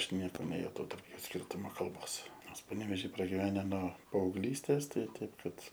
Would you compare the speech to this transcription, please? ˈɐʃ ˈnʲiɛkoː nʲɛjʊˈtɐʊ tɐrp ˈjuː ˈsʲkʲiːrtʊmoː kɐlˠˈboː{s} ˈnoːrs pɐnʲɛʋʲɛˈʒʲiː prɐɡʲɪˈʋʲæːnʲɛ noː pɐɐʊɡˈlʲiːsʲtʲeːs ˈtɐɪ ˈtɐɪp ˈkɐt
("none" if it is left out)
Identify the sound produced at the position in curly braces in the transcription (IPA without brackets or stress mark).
s